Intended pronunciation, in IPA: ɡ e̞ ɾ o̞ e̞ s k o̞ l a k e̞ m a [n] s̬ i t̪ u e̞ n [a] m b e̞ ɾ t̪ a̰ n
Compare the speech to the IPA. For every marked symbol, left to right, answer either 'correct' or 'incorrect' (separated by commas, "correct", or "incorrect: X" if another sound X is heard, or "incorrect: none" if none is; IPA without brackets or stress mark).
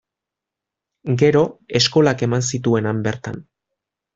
correct, correct